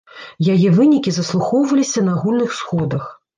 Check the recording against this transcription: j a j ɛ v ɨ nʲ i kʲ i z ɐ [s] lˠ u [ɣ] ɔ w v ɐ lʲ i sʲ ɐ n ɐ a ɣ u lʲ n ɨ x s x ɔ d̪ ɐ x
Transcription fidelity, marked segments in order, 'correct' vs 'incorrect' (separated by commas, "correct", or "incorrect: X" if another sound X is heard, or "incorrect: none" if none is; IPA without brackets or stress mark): correct, incorrect: x